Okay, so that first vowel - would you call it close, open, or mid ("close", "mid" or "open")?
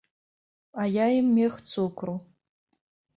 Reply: open